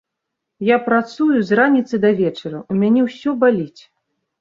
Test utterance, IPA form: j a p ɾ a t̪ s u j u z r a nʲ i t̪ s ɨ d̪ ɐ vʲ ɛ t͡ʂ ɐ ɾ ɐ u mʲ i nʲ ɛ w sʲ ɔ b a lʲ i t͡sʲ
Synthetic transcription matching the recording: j a p ɾ a t̪ s u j u z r a nʲ i t̪ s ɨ d̪ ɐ vʲ ɛ t͡ʂ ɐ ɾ ɐ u mʲ a nʲ ɛ w sʲ ɔ b a lʲ i t͡sʲ